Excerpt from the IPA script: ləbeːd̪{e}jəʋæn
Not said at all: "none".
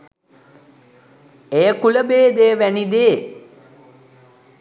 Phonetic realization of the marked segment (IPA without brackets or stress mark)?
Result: e